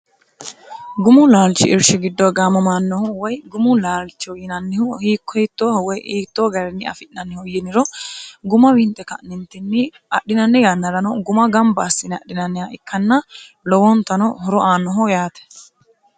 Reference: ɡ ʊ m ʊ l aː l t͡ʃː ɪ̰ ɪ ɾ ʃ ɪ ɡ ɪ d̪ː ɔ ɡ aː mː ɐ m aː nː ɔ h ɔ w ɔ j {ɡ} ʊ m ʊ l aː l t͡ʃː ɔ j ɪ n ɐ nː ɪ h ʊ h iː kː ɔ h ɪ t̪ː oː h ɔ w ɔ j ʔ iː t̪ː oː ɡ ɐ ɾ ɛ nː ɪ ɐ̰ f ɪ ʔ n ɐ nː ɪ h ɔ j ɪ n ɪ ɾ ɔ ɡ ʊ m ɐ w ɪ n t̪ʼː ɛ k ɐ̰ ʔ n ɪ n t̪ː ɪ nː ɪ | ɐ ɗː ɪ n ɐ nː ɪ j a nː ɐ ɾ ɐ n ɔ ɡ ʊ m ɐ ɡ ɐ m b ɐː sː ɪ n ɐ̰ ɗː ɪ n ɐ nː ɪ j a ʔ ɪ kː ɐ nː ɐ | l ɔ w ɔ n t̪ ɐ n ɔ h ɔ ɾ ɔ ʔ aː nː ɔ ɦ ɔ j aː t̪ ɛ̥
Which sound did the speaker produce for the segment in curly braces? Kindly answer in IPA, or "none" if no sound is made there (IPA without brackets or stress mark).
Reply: ɡ